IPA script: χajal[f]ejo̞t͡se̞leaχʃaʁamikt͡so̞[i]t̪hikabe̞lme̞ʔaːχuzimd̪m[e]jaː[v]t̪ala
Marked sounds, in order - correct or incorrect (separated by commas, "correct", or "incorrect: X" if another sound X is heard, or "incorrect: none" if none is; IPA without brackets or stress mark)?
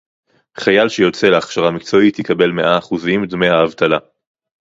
incorrect: ʃ, correct, correct, correct